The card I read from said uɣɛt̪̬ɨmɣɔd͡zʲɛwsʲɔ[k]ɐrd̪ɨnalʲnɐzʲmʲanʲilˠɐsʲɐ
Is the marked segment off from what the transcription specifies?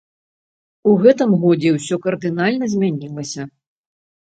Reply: no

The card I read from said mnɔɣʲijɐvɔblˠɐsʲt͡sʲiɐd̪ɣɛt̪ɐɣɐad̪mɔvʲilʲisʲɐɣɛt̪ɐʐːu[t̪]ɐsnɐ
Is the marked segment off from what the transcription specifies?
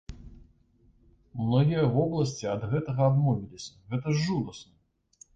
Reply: yes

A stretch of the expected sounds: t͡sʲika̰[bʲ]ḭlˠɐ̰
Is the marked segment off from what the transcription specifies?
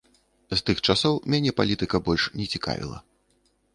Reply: yes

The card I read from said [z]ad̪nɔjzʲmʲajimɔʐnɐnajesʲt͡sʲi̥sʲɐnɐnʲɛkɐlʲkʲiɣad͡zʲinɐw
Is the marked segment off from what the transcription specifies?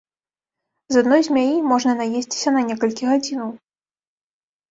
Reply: no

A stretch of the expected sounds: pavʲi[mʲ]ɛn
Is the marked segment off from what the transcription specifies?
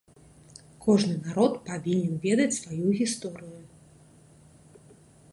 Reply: yes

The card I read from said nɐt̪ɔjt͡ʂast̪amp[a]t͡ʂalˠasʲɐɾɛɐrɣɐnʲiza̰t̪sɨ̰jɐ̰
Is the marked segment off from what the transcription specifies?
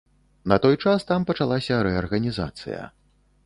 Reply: yes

